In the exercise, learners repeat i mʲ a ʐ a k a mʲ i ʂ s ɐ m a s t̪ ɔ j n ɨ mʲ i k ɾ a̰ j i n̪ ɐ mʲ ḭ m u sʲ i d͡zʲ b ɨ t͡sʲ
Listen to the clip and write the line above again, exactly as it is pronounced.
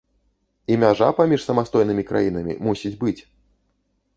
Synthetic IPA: i mʲ a ʐ a p a mʲ i ʂ s ɐ m a s t̪ ɔ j n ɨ mʲ i k ɾ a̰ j i n̪ ɐ mʲ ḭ m u sʲ i d͡zʲ b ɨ t͡sʲ